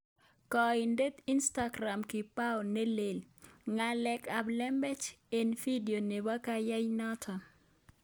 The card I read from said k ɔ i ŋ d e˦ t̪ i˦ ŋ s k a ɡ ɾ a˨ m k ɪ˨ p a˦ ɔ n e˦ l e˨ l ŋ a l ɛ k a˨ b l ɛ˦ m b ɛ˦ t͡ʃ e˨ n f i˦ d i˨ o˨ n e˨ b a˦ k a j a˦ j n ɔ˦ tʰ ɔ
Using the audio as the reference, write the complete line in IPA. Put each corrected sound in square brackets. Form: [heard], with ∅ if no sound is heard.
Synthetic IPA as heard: k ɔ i [n] d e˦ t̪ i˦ [n] s [t] a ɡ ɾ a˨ m k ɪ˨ p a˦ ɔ n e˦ l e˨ l ŋ a l ɛ k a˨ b l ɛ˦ m b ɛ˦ t͡ʃ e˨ n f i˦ d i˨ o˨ n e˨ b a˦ k a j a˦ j n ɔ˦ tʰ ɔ

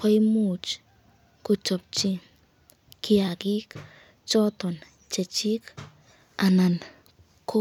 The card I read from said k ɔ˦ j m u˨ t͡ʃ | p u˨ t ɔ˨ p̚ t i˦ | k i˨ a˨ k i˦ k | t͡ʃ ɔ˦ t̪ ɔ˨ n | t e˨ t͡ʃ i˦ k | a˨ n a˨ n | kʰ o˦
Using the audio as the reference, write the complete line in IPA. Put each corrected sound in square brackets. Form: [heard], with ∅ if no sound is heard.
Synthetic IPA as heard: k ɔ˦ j m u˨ t͡ʃ | [k] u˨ [t͡ʃ] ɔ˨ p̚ [t͡ʃ] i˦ | k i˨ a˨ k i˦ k | t͡ʃ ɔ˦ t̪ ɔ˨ n | [t͡ʃ] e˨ t͡ʃ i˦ k | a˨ n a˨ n | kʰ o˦

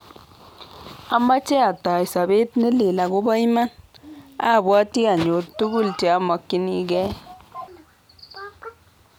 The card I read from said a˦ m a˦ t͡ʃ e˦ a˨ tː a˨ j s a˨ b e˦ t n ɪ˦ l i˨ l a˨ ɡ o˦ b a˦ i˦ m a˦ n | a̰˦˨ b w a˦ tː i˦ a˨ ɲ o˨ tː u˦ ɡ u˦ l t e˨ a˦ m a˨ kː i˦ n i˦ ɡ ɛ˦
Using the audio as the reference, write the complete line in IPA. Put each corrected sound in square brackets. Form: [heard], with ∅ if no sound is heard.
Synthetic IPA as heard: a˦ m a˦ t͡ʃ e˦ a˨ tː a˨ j s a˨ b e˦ t n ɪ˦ l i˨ l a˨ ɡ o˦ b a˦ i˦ m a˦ n | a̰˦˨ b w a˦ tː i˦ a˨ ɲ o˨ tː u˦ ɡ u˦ l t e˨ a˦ m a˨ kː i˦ n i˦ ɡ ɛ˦

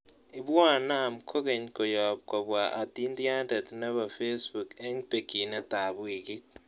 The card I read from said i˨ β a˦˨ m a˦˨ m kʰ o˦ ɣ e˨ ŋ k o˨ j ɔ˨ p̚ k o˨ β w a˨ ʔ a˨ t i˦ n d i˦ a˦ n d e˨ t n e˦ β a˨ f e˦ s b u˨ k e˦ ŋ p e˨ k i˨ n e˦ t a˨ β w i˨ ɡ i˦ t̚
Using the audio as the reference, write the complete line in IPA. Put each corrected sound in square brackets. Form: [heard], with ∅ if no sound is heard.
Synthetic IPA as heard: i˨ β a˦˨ [n] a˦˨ m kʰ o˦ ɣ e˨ [ɲ] k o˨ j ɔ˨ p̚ k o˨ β w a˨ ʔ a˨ t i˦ n d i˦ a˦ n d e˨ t n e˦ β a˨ f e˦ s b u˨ k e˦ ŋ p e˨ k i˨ n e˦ t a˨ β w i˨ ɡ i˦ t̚

